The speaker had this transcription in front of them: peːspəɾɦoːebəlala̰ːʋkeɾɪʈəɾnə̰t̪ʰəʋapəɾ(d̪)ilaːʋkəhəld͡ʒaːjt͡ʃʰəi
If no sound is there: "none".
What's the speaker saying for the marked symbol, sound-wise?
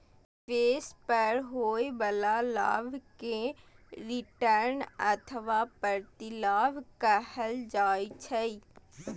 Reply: t̪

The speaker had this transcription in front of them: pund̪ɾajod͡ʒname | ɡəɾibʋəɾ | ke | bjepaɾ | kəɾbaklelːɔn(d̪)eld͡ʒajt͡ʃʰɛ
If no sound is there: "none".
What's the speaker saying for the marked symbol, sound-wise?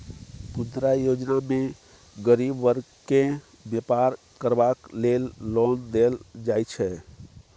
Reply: d̪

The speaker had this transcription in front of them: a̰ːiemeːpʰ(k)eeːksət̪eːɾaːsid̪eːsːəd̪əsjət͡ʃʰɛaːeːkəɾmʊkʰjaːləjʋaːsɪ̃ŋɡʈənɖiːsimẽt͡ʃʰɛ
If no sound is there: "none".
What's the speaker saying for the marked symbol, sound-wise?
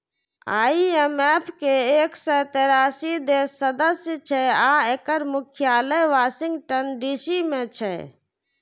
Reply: k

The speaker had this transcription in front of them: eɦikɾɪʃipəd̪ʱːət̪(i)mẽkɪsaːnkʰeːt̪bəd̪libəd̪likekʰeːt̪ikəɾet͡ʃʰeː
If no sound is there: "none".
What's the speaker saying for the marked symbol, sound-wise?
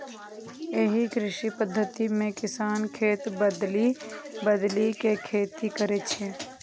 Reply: i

